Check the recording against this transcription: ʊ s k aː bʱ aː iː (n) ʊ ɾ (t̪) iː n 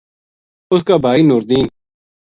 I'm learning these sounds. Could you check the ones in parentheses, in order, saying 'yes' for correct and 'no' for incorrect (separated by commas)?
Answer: yes, no